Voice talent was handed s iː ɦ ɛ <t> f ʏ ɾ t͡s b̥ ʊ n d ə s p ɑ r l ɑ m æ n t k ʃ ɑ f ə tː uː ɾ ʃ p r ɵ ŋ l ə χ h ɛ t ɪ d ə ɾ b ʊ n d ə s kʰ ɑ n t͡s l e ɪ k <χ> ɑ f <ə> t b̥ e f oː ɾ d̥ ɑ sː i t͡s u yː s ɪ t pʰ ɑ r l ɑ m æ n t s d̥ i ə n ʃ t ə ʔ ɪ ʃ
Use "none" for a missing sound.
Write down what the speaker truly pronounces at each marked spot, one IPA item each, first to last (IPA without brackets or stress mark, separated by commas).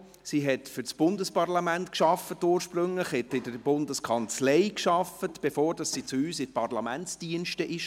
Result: t, ʃ, ə